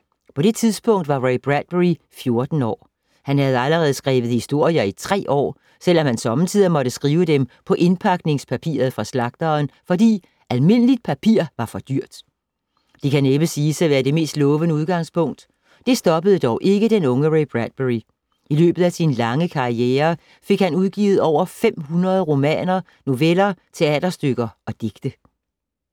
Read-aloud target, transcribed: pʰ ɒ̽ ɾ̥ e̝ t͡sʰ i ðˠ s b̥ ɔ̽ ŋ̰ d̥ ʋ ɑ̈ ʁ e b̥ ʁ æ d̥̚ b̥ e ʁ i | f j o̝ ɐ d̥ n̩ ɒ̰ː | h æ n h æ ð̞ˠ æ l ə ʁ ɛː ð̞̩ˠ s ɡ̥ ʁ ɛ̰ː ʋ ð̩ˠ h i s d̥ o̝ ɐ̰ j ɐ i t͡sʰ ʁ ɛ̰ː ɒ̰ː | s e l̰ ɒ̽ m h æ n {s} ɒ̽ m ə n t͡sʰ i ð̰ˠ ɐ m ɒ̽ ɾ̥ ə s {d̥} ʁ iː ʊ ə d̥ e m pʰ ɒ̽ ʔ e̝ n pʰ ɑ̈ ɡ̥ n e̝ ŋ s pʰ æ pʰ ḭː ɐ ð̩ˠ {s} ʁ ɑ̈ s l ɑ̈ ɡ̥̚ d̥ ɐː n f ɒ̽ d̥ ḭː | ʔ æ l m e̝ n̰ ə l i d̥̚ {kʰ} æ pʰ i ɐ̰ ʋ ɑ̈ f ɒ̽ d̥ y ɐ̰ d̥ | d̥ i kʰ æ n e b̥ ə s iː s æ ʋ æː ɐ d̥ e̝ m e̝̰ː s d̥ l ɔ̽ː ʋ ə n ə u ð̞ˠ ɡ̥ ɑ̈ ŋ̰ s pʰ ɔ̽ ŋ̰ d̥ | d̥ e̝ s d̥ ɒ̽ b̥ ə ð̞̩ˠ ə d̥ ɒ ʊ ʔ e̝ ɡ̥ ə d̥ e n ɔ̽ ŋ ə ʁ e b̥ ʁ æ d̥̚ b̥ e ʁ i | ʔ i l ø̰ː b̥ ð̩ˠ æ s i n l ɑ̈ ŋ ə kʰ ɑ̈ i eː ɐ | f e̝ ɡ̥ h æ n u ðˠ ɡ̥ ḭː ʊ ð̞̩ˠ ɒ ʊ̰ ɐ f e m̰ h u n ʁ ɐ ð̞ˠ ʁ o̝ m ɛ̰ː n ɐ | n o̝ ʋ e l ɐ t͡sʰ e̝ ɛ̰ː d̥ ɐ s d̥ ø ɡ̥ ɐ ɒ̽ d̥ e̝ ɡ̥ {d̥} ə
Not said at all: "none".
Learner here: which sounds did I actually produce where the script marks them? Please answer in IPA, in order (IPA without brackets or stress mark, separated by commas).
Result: s, ɡ̥, f, pʰ, d̥